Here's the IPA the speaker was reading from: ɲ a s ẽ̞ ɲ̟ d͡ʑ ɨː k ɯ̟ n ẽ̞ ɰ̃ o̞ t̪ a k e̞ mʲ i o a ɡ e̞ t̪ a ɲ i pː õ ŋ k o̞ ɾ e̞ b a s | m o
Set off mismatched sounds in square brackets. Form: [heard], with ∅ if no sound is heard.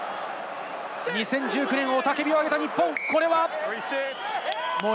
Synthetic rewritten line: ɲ [i] s ẽ̞ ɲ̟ d͡ʑ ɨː k ɯ̟ n ẽ̞ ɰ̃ o̞ t̪ a k e̞ [bʲ] i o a ɡ e̞ t̪ a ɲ i pː õ ŋ k o̞ ɾ e̞ [β] a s | m o